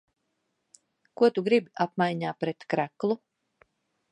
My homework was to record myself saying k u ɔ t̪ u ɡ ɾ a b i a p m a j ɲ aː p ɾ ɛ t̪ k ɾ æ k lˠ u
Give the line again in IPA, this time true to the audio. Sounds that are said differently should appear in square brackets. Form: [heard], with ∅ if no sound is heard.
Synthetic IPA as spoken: k u ɔ t̪ u ɡ ɾ [i] b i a p m a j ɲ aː p ɾ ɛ t̪ k ɾ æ k lˠ u